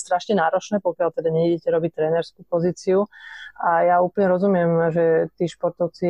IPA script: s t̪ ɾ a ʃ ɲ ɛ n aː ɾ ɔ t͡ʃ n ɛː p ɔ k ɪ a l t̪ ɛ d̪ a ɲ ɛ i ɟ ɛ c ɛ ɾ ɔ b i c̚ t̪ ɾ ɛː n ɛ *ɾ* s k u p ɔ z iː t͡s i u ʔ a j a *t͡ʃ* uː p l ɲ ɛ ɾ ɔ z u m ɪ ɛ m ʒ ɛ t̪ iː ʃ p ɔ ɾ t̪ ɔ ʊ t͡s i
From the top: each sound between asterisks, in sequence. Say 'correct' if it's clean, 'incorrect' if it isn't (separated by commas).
correct, incorrect